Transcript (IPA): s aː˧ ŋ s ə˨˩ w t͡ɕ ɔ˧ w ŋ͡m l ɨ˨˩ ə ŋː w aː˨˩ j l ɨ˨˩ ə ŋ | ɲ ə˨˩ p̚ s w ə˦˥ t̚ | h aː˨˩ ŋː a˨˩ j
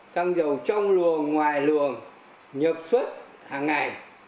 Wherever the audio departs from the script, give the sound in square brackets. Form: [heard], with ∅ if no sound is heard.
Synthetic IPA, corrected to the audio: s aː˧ ŋ [z] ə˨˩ w t͡ɕ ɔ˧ w ŋ͡m l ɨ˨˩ ə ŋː w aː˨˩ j l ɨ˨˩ ə ŋ | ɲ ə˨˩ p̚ s w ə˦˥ t̚ | h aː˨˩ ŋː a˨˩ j

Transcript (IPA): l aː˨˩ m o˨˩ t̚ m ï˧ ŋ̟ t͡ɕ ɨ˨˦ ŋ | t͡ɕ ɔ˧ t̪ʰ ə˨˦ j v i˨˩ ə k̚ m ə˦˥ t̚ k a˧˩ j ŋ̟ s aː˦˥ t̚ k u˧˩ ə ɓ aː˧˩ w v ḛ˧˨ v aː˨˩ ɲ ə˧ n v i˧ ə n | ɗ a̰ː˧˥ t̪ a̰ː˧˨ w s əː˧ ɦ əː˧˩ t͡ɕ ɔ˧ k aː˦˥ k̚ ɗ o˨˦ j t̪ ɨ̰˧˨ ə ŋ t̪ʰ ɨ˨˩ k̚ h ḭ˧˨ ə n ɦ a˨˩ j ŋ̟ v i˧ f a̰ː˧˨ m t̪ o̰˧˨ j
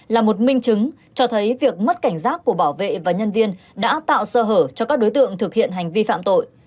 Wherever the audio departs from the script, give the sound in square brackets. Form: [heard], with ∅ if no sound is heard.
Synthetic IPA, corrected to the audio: l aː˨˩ m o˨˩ t̚ m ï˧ ŋ̟ t͡ɕ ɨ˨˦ ŋ | t͡ɕ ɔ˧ t̪ʰ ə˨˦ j v i˨˩ ə k̚ m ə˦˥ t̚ k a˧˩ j ŋ̟ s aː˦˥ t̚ k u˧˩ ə ɓ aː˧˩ w v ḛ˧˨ v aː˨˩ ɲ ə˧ n v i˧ ə n | ɗ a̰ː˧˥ t̪ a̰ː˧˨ w s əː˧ ɦ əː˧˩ t͡ɕ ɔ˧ k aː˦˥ k̚ ɗ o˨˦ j t̪ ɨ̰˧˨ ə ŋ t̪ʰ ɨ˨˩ k̚ h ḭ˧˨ ə n ɦ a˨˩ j ŋ̟ v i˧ f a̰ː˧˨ m t̪ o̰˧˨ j

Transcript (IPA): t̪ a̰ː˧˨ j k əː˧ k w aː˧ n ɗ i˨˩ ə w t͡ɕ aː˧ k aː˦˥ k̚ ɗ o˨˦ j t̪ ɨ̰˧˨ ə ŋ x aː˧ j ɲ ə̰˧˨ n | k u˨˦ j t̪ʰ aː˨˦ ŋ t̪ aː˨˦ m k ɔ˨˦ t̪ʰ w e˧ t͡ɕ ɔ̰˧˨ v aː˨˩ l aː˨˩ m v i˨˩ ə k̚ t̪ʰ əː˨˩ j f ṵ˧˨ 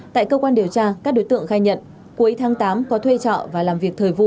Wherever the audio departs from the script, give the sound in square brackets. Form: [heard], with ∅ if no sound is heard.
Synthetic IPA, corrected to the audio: t̪ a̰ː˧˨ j k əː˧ k w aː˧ n ɗ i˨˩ ə w t͡ɕ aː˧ k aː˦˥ k̚ ɗ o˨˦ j t̪ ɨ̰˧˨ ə ŋ x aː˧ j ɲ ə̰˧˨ n | k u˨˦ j t̪ʰ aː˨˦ ŋ t̪ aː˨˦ m k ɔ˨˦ t̪ʰ w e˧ t͡ɕ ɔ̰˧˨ v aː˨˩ l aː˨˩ m v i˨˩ ə k̚ t̪ʰ əː˨˩ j [v] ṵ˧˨

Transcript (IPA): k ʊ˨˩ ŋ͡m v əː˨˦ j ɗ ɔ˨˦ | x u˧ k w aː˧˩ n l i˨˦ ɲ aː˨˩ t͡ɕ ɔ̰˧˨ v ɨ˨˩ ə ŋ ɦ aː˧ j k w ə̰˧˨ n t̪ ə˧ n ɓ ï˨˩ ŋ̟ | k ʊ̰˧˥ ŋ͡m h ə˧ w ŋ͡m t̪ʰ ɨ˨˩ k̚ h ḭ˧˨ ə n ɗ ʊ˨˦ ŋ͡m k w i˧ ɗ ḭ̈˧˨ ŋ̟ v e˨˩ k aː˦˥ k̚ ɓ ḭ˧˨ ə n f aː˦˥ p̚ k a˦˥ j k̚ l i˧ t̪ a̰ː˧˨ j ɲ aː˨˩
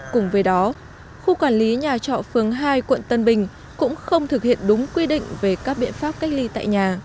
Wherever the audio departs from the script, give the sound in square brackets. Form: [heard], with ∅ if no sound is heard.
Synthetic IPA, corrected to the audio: k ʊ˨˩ ŋ͡m v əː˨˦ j ɗ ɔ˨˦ | x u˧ k w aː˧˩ n l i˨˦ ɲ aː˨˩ t͡ɕ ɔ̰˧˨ [f] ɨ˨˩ ə ŋ ɦ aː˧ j k w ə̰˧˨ n t̪ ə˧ n ɓ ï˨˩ ŋ̟ | k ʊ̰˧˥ ŋ͡m [x] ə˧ w ŋ͡m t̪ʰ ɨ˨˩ k̚ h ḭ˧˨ ə n ɗ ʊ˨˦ ŋ͡m k w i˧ ɗ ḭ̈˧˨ ŋ̟ v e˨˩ k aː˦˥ k̚ ɓ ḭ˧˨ ə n f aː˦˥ p̚ k a˦˥ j k̚ l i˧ t̪ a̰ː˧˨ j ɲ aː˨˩

